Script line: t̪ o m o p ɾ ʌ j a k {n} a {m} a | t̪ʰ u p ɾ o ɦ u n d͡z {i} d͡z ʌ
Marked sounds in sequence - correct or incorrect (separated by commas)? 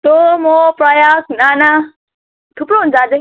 correct, incorrect, incorrect